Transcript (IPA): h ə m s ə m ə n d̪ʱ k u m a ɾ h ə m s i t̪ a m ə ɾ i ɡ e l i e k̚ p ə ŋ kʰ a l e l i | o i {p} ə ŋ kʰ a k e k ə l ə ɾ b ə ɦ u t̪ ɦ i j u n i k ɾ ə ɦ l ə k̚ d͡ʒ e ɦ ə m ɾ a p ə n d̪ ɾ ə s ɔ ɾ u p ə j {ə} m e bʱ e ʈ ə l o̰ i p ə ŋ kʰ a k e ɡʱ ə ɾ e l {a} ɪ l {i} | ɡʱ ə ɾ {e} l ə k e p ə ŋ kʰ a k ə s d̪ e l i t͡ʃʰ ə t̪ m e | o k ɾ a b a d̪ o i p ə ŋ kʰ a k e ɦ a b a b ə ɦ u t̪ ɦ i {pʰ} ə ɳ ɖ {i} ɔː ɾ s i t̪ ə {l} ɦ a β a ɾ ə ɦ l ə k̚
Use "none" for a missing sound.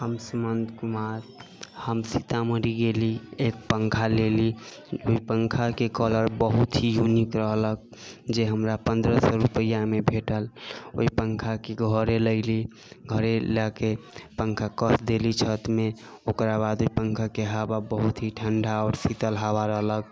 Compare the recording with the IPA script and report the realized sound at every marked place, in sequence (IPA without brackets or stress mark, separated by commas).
p, a, ə, i, e, ʈʰ, a, l